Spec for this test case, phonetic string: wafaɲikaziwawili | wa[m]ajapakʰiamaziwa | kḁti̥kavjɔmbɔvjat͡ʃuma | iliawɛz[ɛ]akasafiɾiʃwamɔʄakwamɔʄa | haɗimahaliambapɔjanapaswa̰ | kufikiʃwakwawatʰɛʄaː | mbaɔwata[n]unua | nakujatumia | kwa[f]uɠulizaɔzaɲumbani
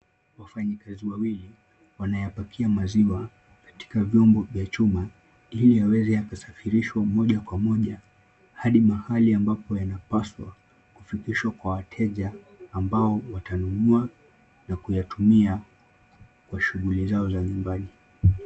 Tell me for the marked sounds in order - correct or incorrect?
incorrect, correct, correct, incorrect

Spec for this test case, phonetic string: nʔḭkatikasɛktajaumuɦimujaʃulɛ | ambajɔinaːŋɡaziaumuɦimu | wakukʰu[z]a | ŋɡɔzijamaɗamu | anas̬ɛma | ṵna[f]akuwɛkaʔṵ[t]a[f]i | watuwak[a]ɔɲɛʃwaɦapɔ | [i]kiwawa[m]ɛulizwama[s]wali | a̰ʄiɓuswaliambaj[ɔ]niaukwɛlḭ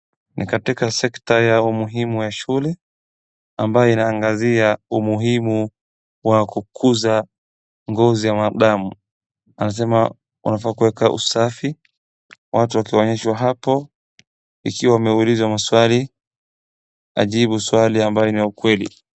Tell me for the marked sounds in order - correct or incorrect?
correct, correct, incorrect, correct, incorrect, correct, correct, correct, correct

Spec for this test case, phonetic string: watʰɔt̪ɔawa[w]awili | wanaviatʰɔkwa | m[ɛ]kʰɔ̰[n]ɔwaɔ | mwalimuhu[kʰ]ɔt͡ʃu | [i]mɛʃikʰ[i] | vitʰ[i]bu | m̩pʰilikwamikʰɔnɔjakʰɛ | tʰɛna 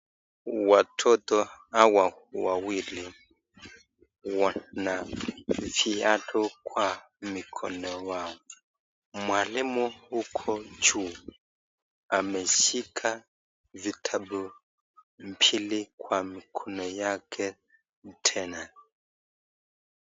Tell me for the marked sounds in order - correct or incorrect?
correct, incorrect, correct, correct, incorrect, incorrect, incorrect

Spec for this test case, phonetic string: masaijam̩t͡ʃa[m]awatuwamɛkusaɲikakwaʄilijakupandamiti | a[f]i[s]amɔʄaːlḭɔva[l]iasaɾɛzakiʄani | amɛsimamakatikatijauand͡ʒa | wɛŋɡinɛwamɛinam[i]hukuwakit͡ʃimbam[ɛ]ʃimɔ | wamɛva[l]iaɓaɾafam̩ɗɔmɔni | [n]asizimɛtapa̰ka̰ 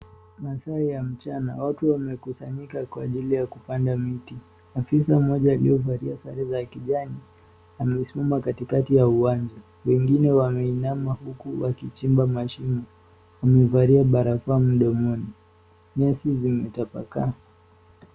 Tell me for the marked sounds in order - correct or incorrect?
incorrect, correct, correct, incorrect, incorrect, incorrect, incorrect, incorrect

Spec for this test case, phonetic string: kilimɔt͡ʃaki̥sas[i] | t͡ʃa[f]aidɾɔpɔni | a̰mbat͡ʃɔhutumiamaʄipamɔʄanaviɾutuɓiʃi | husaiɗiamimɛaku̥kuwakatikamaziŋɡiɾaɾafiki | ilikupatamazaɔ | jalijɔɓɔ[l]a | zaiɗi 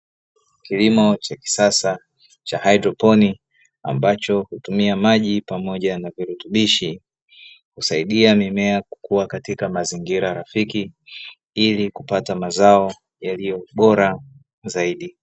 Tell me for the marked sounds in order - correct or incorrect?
incorrect, incorrect, incorrect

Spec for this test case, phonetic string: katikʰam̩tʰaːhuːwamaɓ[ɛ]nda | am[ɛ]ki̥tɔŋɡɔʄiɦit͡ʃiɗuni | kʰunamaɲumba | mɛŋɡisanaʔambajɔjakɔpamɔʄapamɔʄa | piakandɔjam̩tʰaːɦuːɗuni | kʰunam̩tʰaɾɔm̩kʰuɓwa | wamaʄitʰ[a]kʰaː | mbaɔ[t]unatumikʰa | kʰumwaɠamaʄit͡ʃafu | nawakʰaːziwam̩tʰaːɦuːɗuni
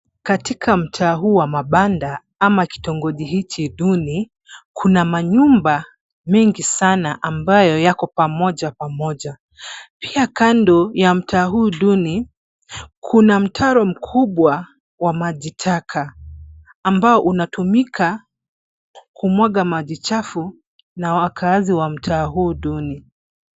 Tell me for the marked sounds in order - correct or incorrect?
incorrect, incorrect, correct, incorrect

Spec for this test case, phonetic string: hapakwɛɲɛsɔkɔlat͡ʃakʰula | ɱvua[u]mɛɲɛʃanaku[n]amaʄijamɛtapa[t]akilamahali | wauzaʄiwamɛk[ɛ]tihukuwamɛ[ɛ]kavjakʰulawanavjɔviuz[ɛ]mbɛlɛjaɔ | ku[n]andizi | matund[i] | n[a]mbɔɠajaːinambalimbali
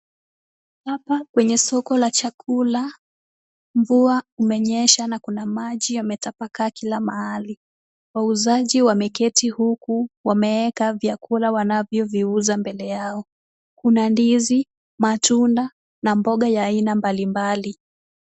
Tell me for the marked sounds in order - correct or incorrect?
correct, correct, incorrect, correct, correct, incorrect, correct, incorrect, correct

